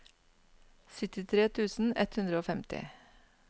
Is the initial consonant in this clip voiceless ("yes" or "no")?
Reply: yes